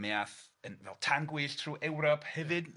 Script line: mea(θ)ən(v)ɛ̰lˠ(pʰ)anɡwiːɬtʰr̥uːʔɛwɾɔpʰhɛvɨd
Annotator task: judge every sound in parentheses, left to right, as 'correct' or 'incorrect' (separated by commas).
correct, correct, incorrect